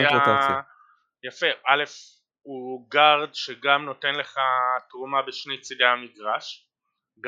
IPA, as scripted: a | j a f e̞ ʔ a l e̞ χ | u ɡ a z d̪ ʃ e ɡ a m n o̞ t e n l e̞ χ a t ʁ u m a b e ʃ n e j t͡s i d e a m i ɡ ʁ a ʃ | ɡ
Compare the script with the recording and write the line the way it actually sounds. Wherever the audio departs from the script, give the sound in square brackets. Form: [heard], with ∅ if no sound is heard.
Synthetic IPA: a | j a f e̞ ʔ a l e̞ [f] | u ɡ a [ʁ] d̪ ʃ e ɡ a m n o̞ t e n l e̞ χ a t ʁ u m a b e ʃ n e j t͡s i d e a m i ɡ ʁ a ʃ | ɡ